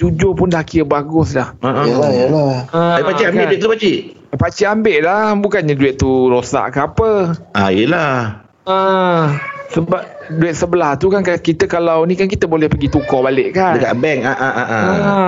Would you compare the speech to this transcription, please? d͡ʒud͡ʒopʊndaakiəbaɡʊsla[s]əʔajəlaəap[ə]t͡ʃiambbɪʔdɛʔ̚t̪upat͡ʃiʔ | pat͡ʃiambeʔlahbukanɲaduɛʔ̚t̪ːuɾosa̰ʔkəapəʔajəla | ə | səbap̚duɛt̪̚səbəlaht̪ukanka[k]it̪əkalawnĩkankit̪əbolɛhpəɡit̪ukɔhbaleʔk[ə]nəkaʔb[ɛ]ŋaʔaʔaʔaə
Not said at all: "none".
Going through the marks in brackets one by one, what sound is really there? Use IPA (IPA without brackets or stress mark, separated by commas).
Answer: h, a, k, a, ɛ